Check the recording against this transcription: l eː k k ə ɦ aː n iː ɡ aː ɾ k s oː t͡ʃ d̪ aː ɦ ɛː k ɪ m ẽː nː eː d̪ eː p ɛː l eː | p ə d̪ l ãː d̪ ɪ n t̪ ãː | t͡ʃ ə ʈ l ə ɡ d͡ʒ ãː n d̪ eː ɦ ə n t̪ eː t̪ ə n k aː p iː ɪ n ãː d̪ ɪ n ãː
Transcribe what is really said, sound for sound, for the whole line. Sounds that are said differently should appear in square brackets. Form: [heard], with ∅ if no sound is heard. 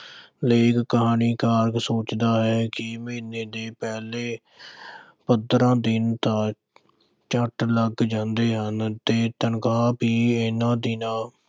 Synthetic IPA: l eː k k ə ɦ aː n iː [k] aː ɾ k s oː t͡ʃ d̪ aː ɦ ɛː k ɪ m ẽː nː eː d̪ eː p ɛː l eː | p ə d̪ [ɾ] ãː d̪ ɪ n t̪ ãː | t͡ʃ ə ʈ l ə ɡ d͡ʒ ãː n d̪ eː ɦ ə n t̪ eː t̪ ə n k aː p iː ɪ n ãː d̪ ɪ n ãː